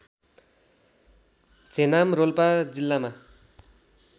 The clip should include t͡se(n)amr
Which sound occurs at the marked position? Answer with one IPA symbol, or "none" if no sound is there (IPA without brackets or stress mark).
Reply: n